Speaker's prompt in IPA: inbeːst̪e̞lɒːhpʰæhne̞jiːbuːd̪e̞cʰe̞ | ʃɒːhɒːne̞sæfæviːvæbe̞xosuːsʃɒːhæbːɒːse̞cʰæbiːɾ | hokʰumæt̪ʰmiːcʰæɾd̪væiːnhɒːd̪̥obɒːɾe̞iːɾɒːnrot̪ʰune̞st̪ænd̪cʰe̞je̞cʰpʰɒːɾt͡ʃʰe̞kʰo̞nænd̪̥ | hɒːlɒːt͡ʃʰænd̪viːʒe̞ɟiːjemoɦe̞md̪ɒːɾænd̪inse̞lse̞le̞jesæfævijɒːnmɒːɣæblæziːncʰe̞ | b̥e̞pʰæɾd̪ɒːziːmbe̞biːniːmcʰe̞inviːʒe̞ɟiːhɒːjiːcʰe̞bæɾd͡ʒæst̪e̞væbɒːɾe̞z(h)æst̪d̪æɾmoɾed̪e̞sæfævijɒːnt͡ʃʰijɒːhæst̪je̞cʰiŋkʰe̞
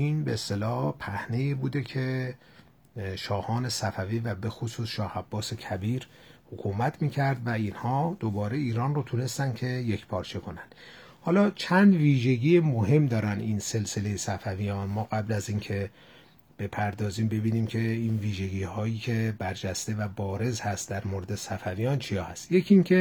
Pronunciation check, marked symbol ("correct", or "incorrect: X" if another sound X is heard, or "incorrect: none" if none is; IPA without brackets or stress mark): correct